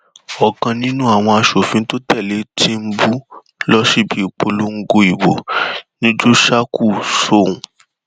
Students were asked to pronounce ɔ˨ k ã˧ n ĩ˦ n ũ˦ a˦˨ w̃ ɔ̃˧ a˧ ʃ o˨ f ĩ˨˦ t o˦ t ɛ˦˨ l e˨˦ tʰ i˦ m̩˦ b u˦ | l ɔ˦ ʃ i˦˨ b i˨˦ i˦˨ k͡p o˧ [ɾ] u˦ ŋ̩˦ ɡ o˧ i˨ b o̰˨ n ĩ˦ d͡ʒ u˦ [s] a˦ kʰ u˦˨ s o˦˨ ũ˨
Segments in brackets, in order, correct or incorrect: incorrect, incorrect

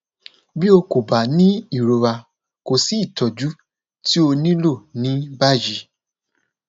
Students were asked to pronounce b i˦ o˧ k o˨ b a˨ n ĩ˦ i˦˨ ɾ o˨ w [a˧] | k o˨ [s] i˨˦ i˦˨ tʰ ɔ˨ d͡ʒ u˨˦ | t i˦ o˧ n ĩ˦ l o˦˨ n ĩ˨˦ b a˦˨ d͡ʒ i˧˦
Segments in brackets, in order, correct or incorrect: correct, correct

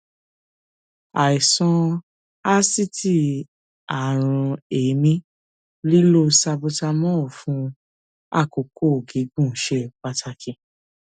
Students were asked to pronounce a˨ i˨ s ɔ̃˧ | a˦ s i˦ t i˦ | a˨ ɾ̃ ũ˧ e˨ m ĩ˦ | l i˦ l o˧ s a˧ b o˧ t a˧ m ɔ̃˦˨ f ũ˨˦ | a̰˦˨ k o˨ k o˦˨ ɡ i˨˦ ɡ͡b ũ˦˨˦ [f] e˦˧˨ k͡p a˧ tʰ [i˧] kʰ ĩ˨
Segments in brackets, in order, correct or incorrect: incorrect, incorrect

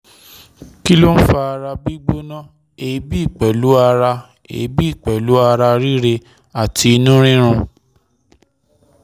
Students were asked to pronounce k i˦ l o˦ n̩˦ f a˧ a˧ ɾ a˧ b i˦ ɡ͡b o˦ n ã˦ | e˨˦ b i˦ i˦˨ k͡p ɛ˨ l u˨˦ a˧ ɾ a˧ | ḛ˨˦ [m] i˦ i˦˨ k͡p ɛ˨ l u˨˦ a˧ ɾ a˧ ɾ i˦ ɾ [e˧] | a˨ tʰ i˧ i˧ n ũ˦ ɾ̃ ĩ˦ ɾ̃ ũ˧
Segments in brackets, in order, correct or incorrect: incorrect, correct

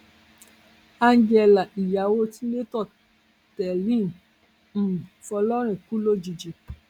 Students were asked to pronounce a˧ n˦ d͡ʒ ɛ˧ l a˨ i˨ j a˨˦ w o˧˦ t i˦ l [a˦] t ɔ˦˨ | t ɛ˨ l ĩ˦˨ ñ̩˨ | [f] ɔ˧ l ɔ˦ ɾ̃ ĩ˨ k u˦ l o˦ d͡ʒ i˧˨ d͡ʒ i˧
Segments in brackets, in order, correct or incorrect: incorrect, correct

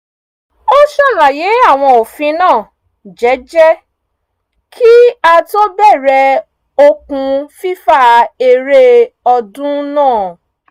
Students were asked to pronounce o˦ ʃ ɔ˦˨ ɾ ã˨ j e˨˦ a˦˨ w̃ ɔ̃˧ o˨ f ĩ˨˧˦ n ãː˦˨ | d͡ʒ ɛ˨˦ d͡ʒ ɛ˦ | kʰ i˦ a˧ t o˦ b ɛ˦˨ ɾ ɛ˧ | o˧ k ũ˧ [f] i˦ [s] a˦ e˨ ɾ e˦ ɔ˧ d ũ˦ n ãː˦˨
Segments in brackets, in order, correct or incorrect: correct, incorrect

